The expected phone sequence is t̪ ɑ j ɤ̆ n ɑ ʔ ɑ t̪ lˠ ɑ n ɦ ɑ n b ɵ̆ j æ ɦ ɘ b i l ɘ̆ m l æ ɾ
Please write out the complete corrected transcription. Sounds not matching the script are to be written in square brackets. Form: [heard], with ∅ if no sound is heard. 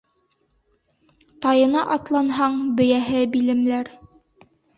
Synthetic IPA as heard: t̪ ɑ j ɤ̆ n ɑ ʔ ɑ t̪ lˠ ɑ n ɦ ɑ [ɴ] b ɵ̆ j æ ɦ ɘ b i l ɘ̆ m l æ ɾ